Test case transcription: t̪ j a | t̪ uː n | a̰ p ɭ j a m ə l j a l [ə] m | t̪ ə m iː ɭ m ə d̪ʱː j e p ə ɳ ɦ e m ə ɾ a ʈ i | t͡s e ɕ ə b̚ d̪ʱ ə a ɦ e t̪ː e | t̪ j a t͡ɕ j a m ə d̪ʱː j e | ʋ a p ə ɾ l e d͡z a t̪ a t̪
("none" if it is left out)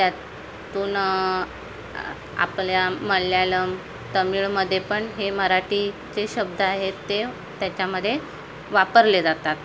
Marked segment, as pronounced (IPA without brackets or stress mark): ə